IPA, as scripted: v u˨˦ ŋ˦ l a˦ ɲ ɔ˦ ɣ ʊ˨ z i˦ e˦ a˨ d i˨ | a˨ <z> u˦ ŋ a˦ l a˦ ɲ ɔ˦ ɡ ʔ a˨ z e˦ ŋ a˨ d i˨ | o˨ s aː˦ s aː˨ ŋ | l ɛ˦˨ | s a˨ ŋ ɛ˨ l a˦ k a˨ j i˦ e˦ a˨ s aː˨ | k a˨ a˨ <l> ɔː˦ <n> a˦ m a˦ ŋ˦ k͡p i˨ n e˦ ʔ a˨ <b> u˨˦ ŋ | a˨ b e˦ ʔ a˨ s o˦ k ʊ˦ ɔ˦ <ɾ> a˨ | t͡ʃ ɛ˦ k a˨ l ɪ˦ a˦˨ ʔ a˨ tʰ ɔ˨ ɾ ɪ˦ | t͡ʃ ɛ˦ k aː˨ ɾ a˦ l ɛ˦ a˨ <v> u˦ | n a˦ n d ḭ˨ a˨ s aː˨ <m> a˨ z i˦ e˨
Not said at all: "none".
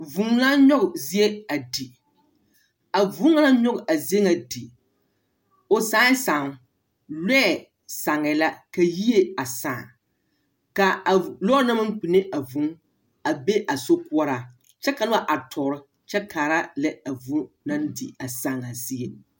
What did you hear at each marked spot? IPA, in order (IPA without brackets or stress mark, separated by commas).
v, l, n, v, ɾ, v, ŋ